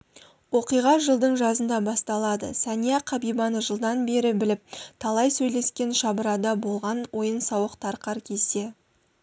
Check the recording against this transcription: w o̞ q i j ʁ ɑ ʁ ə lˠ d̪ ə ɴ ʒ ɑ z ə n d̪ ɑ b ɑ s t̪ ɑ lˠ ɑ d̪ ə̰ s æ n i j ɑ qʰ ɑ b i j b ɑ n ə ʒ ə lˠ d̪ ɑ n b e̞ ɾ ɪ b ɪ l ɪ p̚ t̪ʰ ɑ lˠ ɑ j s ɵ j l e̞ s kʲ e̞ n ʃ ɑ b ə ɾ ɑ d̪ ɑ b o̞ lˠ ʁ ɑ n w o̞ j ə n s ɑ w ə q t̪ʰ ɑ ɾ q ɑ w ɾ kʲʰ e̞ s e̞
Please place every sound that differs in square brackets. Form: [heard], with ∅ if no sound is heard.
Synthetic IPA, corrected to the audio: w o̞ q i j ʁ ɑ [ʒ] ə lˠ d̪ ə ɴ ʒ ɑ z ə n d̪ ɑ b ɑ s t̪ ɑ lˠ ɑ d̪ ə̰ s æ n i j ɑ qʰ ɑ b i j b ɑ n ə ʒ ə lˠ d̪ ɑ n b e̞ ɾ ɪ b ɪ l ɪ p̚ t̪ʰ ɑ lˠ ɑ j s ɵ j l e̞ s kʲ e̞ n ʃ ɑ b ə ɾ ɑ d̪ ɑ b o̞ lˠ ʁ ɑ n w o̞ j ə n s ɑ w ə q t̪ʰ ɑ ɾ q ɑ [∅] ɾ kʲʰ e̞ s e̞